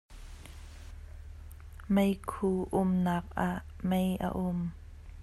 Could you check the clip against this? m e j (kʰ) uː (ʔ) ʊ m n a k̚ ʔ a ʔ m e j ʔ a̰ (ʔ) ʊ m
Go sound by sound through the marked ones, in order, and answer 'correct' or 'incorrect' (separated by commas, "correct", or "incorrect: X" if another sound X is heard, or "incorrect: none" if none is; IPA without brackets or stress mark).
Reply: correct, correct, correct